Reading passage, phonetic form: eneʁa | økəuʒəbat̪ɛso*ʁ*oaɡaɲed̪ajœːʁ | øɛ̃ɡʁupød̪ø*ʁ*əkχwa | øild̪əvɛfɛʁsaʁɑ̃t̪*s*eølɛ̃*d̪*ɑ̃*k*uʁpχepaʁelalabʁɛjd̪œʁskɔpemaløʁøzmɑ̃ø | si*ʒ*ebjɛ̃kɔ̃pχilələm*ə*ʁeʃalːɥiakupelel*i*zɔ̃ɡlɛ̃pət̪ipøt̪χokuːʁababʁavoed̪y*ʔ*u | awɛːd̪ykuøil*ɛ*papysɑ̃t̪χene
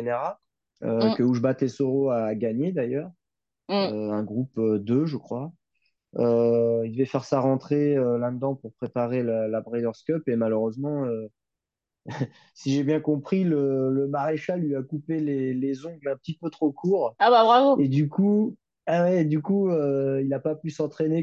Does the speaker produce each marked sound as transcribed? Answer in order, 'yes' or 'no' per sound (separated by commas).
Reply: yes, no, no, yes, no, yes, no, no, no, no